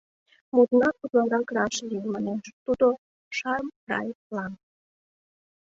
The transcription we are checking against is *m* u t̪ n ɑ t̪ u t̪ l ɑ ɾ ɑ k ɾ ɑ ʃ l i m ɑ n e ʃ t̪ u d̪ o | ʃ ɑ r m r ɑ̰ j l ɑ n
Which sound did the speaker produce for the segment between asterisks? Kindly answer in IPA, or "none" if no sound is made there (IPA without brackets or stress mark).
m